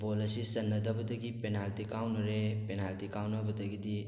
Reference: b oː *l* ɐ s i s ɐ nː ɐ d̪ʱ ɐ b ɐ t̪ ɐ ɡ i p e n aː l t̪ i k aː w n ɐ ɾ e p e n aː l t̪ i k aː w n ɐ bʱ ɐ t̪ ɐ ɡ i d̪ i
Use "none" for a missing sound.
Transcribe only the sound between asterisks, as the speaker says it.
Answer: l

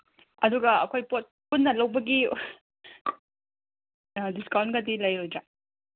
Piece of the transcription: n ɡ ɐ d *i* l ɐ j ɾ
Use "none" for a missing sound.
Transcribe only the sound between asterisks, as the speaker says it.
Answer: i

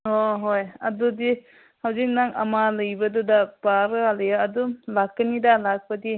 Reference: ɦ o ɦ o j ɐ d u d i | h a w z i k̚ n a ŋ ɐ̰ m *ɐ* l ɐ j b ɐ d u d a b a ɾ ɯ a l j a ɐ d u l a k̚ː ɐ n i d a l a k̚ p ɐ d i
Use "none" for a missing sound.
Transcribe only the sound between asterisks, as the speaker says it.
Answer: a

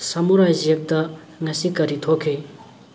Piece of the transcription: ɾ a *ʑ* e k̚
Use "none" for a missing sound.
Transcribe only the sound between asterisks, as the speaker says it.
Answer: ʑ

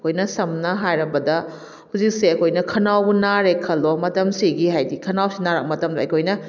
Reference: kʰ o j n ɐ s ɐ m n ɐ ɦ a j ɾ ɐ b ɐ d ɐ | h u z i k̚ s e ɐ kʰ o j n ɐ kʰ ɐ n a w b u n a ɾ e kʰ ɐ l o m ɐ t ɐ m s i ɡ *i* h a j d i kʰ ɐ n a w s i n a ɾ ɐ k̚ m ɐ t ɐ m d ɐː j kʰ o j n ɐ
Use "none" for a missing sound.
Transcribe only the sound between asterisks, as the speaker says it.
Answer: i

